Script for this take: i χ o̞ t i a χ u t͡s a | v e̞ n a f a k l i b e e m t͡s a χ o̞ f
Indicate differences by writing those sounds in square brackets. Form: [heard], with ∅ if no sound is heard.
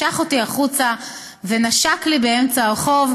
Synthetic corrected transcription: [a] χ o̞ t i a χ u t͡s a | v e̞ n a [ʃ] a k l i b e e m t͡s a χ o̞ [v]